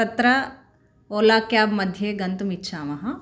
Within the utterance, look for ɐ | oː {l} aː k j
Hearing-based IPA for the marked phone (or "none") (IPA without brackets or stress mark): l